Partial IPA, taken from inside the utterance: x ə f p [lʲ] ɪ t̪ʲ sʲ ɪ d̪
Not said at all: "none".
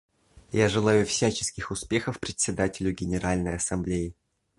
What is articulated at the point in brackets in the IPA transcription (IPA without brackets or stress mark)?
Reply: ɾʲ